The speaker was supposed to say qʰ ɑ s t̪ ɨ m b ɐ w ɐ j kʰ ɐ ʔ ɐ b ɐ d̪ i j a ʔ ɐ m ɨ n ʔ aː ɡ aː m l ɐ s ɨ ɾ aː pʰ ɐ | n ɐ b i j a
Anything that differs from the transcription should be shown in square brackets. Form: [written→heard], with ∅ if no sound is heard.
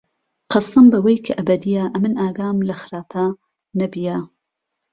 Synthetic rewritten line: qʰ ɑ s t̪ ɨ m b ɐ w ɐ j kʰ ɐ ʔ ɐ b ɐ d̪ i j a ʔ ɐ m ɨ n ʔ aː ɡ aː m l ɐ [s→x] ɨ ɾ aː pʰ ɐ | n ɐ b i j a